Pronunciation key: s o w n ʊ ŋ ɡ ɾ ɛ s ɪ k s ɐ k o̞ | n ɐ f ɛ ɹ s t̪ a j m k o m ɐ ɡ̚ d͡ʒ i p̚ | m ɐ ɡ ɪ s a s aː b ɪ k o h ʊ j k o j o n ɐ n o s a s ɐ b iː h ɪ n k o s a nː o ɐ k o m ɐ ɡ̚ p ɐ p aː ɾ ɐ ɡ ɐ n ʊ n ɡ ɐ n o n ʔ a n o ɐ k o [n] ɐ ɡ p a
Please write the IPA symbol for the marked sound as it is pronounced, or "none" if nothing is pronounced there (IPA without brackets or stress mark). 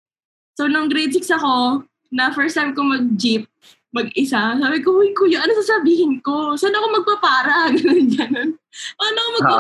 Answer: m